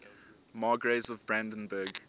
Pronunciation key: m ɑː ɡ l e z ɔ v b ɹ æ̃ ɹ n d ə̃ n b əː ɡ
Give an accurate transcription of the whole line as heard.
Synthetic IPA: m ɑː ɡ ɹ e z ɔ v b ɹ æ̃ n d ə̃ n b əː ɡ